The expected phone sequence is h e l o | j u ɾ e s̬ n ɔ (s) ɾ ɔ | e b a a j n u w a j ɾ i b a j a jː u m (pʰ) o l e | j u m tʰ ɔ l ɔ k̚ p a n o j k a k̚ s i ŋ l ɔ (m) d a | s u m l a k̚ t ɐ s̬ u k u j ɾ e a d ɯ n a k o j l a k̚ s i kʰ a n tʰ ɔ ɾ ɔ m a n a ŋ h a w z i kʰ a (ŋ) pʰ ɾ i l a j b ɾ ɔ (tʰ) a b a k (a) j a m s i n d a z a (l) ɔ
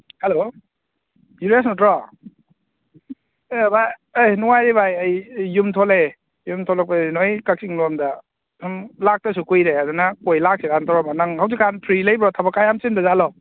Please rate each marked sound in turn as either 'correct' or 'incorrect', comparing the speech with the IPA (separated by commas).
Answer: incorrect, incorrect, correct, incorrect, correct, correct, correct